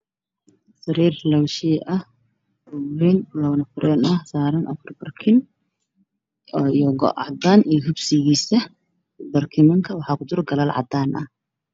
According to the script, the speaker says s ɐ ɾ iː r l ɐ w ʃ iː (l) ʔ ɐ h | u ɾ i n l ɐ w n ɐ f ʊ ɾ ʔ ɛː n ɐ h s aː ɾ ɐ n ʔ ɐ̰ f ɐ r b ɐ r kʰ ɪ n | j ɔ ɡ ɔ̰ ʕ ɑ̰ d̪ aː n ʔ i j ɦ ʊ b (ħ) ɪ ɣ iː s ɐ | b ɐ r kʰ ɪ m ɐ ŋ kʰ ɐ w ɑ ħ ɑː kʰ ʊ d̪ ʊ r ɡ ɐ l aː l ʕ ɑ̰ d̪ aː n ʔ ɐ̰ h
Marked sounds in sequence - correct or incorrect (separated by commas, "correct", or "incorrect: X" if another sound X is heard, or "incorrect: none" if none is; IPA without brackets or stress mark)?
incorrect: none, incorrect: s